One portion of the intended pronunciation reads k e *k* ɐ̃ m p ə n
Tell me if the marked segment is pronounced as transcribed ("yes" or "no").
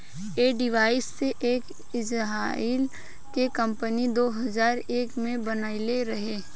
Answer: yes